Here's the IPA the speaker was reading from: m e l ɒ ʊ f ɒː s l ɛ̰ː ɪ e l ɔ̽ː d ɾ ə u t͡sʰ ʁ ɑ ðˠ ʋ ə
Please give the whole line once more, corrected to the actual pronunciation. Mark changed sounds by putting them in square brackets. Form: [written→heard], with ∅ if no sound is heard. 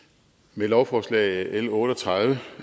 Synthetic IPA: m e l ɒ ʊ f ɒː s l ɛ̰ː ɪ e l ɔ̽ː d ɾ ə [u→ɒ] t͡sʰ ʁ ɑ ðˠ ʋ ə